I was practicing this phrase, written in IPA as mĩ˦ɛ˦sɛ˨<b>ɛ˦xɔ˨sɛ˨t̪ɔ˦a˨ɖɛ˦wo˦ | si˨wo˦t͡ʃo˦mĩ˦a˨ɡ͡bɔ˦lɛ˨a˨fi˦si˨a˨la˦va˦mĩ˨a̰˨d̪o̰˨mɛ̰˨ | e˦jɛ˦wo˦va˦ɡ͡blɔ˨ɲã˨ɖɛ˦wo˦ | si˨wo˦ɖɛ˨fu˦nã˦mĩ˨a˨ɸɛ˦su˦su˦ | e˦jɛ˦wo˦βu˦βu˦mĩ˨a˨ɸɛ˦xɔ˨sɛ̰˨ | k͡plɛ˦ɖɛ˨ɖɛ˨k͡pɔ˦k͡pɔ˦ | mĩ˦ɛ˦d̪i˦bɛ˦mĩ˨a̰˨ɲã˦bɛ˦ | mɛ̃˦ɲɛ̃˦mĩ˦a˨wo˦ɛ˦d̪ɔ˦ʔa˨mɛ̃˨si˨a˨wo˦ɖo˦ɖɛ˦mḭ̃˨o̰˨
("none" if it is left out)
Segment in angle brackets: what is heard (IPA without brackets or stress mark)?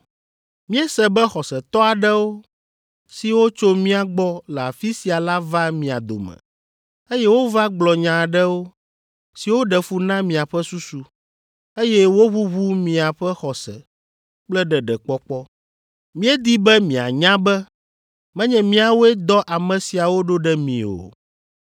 b